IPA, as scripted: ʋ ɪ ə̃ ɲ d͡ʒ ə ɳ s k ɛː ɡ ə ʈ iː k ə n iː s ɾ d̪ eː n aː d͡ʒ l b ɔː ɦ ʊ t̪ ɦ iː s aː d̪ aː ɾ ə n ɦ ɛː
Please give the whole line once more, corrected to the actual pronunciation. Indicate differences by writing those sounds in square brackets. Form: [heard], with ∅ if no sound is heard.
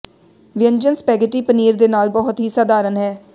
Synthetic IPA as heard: ʋ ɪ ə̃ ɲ d͡ʒ ə [n] s [p] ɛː ɡ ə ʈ iː [p] ə n iː [∅] ɾ d̪ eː n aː [∅] l b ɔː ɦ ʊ t̪ ɦ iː s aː d̪ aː ɾ ə n ɦ ɛː